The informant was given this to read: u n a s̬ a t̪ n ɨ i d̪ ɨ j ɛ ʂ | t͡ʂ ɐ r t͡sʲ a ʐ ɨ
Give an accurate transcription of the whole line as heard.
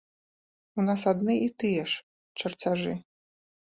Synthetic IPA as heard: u n a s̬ a d̪ n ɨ i t̪ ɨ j ɛ ʂ | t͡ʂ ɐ r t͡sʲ a ʐ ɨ

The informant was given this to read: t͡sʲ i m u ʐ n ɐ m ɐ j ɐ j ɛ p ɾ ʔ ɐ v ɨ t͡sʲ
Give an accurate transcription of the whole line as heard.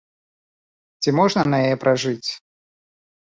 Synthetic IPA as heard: t͡sʲ i m ɔ ʐ n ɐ n ɐ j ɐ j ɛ p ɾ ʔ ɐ ʐ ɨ t͡sʲ

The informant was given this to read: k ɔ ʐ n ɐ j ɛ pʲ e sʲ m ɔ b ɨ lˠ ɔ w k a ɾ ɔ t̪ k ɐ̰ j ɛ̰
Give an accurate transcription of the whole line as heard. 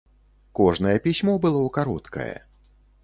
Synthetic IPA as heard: k ɔ ʐ n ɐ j ɛ pʲ i sʲ m ɔ b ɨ lˠ ɔ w k a ɾ ɔ t̪ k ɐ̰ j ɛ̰

